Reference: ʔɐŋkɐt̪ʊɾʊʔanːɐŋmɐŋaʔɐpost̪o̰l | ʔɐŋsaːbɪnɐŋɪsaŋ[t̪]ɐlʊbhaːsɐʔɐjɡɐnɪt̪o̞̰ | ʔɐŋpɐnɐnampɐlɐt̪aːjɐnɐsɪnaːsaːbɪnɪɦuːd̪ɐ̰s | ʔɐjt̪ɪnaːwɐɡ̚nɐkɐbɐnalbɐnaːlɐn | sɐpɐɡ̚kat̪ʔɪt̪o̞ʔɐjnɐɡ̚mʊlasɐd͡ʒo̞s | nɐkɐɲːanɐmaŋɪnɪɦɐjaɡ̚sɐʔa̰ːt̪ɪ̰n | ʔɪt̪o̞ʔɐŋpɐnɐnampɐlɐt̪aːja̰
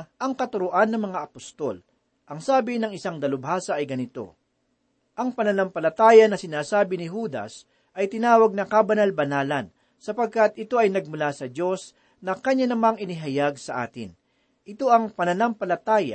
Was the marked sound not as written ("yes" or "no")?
yes